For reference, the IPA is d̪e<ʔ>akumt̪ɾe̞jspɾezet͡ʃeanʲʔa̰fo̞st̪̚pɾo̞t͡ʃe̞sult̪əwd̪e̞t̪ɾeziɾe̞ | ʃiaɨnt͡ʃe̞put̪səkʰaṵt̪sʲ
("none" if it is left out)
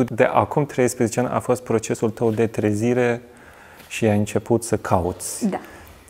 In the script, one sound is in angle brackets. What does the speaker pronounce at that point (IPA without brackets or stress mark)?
ʔ